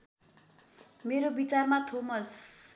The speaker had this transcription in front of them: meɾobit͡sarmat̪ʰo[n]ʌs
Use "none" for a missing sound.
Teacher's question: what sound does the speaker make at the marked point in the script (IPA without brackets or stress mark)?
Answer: m